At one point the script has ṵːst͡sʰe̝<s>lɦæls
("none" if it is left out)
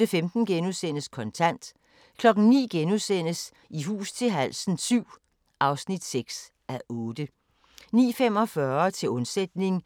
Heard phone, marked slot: none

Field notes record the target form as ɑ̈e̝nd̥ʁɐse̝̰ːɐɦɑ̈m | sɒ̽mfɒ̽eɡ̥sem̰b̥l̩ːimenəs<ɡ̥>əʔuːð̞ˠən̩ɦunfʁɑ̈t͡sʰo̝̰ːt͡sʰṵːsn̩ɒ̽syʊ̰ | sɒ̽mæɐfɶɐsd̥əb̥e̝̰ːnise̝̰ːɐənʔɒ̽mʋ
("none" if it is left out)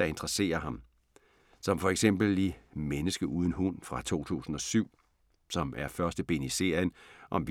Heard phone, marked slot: ɡ̥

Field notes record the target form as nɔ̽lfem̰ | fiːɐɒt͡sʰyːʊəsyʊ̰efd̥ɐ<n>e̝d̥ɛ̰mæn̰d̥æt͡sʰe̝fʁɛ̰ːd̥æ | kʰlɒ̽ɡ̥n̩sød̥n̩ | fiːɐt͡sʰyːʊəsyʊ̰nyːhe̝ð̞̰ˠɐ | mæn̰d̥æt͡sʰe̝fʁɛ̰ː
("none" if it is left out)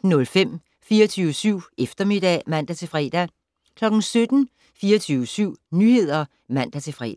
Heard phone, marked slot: m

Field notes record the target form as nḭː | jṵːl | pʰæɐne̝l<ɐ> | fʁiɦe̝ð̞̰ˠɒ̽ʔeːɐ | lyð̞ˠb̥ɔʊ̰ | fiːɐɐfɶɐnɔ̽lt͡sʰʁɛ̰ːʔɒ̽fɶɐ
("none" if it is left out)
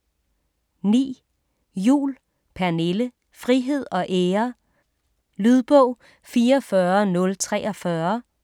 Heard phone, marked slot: ə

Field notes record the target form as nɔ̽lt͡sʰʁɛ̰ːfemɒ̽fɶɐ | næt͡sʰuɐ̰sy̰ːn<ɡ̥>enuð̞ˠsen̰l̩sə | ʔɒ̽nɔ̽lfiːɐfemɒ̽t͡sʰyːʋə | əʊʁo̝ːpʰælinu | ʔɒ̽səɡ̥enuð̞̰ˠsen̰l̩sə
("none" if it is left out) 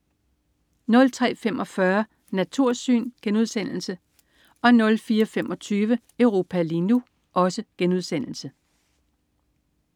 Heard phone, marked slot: ɡ̥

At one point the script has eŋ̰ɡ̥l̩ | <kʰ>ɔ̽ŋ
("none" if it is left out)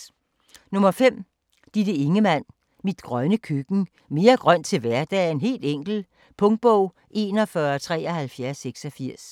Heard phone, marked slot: pʰ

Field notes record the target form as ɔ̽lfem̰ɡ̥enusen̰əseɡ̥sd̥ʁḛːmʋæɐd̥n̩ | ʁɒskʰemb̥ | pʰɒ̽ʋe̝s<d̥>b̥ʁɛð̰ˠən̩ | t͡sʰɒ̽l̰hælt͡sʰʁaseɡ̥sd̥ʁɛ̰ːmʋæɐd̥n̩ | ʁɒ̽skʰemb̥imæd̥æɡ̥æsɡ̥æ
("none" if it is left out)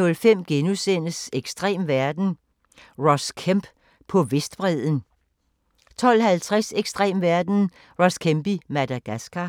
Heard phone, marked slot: d̥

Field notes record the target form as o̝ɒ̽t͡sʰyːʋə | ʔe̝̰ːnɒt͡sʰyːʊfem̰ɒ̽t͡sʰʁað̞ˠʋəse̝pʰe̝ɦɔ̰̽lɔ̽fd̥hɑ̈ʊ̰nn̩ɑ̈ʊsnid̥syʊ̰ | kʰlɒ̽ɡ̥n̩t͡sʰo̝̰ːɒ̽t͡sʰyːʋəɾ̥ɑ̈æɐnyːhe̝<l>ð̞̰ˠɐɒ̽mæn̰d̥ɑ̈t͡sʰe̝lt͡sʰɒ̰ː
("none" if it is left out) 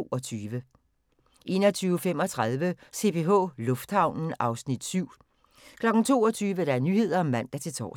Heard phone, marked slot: none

